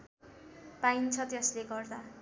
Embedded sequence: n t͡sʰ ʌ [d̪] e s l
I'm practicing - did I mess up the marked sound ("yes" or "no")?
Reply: yes